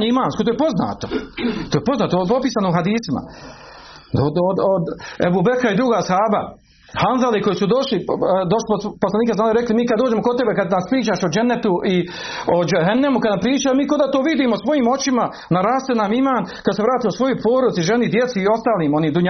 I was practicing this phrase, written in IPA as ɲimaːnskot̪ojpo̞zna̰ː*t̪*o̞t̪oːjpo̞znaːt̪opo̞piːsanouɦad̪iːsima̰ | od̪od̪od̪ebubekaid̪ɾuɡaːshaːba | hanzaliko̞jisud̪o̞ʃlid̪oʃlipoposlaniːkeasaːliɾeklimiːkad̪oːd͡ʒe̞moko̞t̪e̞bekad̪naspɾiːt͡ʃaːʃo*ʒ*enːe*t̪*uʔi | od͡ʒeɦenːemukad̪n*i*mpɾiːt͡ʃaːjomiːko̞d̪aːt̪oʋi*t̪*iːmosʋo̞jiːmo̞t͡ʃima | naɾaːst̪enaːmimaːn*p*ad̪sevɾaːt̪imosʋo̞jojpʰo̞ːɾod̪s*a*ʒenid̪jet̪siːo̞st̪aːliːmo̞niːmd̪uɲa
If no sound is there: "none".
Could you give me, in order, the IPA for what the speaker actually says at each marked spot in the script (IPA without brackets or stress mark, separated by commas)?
t̪, d͡ʒ, t̪, a, d̪, k, i